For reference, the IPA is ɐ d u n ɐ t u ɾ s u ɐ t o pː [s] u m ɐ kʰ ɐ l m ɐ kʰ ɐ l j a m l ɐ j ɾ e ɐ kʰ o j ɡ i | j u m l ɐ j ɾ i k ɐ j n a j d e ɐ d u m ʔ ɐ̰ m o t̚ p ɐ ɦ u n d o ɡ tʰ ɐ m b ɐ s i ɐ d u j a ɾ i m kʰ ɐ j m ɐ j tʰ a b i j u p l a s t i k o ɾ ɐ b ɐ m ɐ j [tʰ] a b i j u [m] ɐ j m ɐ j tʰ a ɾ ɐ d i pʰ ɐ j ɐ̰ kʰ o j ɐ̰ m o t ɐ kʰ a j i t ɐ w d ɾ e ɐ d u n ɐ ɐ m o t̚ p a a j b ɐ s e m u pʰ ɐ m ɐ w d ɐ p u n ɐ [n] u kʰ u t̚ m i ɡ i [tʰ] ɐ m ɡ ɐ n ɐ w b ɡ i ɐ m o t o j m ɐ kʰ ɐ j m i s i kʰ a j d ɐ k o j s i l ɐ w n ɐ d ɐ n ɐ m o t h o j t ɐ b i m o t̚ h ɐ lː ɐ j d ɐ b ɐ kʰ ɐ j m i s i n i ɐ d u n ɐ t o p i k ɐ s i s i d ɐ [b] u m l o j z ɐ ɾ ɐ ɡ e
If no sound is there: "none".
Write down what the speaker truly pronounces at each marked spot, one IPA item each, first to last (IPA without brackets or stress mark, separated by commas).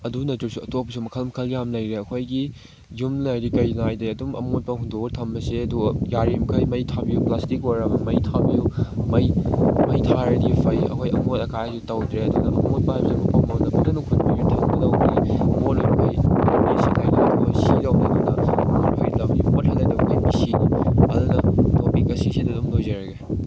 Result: s, tʰ, m, n, tʰ, d